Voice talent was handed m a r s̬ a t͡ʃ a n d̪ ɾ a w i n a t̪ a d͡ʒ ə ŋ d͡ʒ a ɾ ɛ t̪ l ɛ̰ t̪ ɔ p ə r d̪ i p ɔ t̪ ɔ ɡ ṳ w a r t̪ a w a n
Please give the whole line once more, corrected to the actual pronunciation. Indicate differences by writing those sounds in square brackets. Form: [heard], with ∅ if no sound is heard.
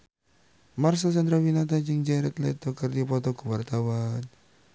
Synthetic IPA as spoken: m a r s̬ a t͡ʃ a n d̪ ɾ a w i n a t̪ a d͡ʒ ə ŋ d͡ʒ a ɾ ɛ t̪ l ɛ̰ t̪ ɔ [k] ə r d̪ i p ɔ t̪ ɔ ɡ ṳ w a r t̪ a w a n